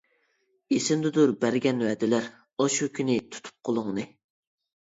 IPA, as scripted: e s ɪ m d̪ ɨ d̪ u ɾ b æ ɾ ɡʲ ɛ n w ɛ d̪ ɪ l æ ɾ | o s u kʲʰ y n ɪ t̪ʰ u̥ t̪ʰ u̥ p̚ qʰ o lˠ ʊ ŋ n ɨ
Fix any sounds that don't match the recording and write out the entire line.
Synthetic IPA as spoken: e s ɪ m d̪ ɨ d̪ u ɾ b æ ɾ ɡʲ ɛ n w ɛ d̪ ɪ l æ ɾ | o ʃ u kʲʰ y n ɪ t̪ʰ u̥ t̪ʰ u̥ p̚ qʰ o lˠ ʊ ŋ n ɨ